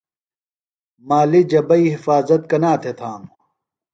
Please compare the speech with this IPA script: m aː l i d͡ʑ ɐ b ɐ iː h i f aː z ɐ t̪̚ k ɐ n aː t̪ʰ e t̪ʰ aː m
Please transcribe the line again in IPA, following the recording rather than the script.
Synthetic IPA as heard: m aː l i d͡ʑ ɐ b ɐ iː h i f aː z ɐ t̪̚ k ɐ n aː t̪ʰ e t̪ʰ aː m